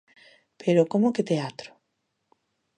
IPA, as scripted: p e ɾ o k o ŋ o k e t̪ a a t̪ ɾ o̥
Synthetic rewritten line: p e ɾ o k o m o k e t̪ e a t̪ ɾ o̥

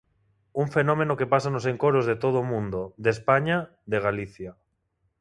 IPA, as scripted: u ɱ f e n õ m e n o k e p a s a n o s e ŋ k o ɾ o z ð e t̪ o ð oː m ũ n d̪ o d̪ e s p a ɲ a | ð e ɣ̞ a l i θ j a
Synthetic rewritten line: u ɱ f e n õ m e n o k e p a s a n o s e ŋ k o ɾ o z ð e t̪ o ð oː m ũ n d̪ o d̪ e s p a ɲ a | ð e ɣ̞ a l i θ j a

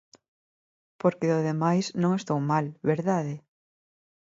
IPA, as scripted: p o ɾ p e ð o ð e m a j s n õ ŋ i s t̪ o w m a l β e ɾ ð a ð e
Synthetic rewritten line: p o ɾ k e ð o ð e m a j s n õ ŋ e s t̪ o w m a l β e ɾ ð a ð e

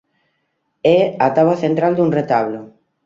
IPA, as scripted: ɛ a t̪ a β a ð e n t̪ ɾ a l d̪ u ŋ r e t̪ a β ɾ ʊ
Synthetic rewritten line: ɛ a t̪ a β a θ e n t̪ ɾ a l d̪ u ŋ r e t̪ a β l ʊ

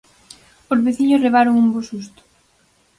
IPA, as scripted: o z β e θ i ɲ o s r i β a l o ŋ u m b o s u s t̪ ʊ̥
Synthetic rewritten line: o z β e θ i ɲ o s r e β a ɾ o ŋ u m b o s u s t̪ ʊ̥

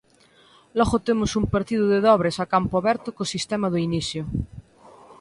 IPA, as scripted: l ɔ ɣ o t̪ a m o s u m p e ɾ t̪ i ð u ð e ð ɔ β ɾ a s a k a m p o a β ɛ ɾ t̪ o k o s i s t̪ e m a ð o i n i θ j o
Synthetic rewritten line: l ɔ ɣ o t̪ e m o s u m p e ɾ t̪ i ð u ð e ð ɔ β ɾ e s a k a m p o a β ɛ ɾ t̪ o k o s i s t̪ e m a ð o i n i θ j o

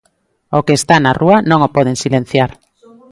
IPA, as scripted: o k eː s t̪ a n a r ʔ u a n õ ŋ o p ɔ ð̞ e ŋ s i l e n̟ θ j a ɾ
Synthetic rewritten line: o k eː s t̪ a n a r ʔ u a n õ ŋ o p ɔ ð̞ e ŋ s i l e n̟ θ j a ɾ

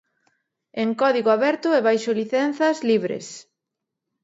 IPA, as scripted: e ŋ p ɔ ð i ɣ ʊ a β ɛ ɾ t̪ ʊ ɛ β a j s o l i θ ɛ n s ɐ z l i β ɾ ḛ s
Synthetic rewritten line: e ŋ k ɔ ð i ɣ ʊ a β ɛ ɾ t̪ ʊ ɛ β a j ʃ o l i θ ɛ n θ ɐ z l i β ɾ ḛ s

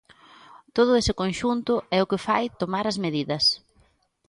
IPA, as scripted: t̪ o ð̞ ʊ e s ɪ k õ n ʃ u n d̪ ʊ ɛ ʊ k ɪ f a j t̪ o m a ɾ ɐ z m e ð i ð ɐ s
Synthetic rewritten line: t̪ o ð̞ ʊ e s ɪ k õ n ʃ u n t̪ ʊ ɛ ʊ k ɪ f a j t̪ o m a ɾ ɐ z m e ð i ð ɐ s

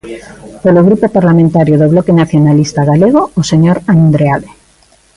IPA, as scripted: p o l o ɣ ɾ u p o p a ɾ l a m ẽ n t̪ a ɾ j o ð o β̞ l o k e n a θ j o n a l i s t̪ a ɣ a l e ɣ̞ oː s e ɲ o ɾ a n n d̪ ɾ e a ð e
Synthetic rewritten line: p o l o ɣ ɾ u p o p a ɾ l a m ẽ n t̪ a ɾ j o ð o β̞ l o k e n a θ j o n a l i s t̪ a ɣ a l e ɣ̞ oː s e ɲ o ɾ a n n d̪ ɾ e a ð e

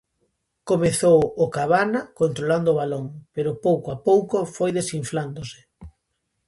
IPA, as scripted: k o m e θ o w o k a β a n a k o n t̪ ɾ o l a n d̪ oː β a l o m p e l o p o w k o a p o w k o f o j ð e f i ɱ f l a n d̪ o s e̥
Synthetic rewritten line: k o m e θ o w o k a β a n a k o n t̪ ɾ o l a n d̪ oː β a l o ŋ p e ɾ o p o w k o a p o w k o f o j ð e s i ɱ f l a n d̪ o s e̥

